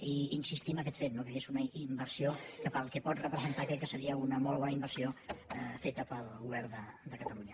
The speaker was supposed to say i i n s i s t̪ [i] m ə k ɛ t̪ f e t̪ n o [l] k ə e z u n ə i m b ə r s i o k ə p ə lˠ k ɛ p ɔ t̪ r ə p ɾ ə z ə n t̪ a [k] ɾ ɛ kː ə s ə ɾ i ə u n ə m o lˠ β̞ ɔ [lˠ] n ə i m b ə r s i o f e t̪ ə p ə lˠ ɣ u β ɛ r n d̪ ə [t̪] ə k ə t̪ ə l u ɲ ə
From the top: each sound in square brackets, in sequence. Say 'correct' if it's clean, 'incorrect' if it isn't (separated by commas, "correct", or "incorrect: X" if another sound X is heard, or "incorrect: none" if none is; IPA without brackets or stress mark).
correct, incorrect: none, correct, incorrect: none, incorrect: d̪